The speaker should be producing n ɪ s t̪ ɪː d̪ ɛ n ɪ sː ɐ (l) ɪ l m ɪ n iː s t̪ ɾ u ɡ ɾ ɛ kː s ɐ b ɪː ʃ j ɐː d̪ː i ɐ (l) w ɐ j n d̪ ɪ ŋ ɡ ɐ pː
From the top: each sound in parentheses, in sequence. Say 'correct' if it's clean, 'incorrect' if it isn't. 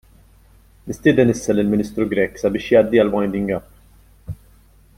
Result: correct, correct

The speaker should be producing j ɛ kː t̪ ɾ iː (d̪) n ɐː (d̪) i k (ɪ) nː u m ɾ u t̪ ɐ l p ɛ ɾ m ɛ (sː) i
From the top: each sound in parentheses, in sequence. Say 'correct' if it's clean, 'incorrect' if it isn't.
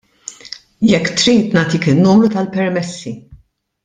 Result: incorrect, incorrect, correct, correct

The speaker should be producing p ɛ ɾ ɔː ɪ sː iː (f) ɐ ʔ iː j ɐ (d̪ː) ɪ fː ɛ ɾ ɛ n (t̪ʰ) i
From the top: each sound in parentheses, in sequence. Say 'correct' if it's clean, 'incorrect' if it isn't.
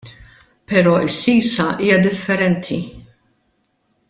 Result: incorrect, incorrect, correct

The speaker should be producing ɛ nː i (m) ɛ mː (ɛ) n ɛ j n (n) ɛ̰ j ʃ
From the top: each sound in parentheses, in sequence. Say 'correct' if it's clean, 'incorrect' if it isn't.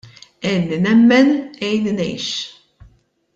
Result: incorrect, correct, correct

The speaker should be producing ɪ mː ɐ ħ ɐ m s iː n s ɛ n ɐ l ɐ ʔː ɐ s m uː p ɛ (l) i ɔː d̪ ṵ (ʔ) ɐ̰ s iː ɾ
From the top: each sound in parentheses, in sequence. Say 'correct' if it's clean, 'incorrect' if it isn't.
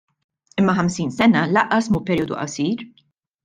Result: incorrect, correct

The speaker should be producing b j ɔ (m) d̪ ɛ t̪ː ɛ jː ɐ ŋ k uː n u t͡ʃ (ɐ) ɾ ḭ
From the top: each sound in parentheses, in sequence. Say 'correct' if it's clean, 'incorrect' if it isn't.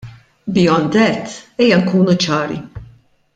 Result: incorrect, incorrect

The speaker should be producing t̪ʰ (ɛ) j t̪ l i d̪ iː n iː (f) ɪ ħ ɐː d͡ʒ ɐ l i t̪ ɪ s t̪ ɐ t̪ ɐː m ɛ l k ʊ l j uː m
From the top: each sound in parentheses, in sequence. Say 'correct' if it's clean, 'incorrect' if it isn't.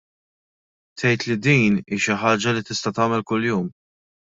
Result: correct, incorrect

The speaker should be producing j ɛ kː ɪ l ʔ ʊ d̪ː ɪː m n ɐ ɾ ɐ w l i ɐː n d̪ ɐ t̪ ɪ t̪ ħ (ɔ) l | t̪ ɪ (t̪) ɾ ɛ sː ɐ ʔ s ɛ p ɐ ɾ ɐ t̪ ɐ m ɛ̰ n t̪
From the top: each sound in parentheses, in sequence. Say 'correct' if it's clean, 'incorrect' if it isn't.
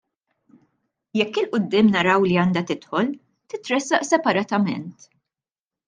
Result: correct, correct

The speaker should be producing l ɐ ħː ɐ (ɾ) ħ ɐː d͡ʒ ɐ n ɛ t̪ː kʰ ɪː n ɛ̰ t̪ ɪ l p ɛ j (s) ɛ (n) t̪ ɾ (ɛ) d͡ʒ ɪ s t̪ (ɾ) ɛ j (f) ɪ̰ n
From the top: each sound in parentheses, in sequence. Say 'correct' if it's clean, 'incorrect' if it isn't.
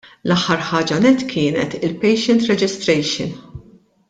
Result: correct, incorrect, correct, correct, correct, incorrect

